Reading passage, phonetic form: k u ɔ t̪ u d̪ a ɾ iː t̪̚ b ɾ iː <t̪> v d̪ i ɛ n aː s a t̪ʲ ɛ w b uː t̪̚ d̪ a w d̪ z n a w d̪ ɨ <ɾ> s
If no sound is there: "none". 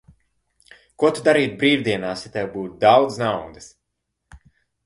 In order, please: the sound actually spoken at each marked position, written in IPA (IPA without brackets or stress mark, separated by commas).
none, none